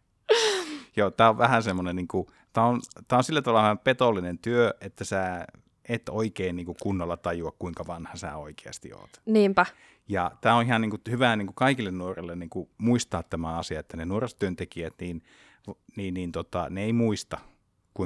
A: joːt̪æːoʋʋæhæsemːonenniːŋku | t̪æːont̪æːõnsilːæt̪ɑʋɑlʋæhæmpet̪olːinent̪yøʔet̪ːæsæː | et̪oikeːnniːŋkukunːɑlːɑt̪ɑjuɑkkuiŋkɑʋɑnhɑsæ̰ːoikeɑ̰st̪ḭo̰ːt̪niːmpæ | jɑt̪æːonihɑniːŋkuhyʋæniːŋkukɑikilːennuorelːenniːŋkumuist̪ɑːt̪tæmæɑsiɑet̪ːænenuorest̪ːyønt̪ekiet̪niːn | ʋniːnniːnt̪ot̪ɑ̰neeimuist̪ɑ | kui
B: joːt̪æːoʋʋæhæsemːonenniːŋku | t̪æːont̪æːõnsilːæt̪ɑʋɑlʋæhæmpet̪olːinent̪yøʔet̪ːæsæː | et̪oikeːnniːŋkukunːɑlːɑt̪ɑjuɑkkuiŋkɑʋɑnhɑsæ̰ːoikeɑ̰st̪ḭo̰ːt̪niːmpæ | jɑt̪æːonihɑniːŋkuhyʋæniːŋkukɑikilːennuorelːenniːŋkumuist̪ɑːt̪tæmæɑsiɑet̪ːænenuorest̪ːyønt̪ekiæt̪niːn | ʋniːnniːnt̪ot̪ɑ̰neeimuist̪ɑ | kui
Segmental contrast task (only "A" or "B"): B